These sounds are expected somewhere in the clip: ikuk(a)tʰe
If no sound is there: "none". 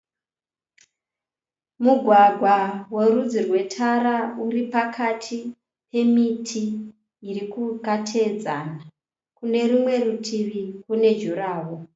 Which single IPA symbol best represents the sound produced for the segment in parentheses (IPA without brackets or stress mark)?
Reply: a